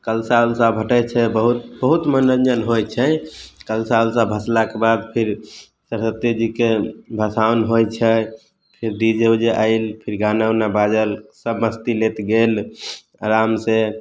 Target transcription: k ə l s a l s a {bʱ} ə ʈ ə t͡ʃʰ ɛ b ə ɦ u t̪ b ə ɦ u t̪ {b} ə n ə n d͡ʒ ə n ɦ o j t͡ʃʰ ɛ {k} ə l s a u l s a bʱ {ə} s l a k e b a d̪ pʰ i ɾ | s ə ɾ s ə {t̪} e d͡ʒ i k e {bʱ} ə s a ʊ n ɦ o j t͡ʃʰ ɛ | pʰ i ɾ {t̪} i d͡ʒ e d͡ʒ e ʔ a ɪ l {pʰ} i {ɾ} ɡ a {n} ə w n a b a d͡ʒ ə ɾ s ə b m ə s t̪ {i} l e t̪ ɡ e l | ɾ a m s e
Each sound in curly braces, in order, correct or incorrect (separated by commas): correct, incorrect, correct, correct, correct, correct, incorrect, correct, correct, correct, correct